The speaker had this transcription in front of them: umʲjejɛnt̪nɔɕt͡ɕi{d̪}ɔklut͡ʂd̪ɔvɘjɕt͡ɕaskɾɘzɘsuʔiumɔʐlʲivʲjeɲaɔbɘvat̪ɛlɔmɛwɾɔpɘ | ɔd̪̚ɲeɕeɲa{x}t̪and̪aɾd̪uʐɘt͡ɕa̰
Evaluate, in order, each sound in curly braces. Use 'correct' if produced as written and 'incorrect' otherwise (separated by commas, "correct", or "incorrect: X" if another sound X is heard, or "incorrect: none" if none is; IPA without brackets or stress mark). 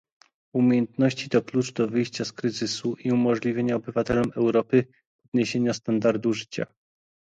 incorrect: t̪, incorrect: s